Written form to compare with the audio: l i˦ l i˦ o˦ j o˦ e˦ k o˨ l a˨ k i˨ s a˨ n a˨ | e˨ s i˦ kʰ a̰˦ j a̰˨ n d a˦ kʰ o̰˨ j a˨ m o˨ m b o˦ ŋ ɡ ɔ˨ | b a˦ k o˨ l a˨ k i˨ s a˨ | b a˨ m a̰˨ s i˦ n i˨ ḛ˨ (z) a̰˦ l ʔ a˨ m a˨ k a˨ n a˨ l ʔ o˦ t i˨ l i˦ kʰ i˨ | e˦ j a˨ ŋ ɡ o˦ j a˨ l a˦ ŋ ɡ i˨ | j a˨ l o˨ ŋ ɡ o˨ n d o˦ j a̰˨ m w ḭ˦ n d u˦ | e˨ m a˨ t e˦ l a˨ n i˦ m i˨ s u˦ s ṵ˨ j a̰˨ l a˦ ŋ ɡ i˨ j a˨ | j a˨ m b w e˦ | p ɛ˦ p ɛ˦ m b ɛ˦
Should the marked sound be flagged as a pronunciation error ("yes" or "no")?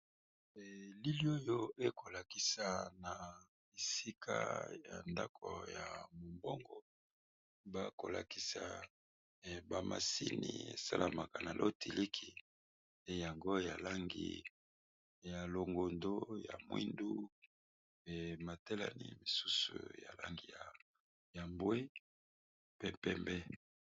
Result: yes